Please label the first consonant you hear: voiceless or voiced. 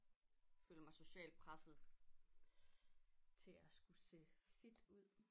voiceless